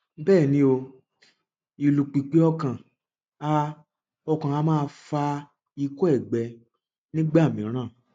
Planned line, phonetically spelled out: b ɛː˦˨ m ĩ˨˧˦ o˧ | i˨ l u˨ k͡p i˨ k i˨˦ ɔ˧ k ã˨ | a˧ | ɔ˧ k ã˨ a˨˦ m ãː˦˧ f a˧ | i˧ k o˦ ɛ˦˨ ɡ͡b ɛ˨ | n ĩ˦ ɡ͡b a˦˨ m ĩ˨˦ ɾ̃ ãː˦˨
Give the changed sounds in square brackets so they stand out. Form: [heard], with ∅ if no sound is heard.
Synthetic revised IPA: b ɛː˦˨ [n] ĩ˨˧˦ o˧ | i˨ l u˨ k͡p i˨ [k͡p] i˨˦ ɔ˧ k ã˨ | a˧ | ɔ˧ k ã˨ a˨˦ m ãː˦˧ f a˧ | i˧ k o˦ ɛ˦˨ ɡ͡b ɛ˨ | n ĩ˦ ɡ͡b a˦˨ m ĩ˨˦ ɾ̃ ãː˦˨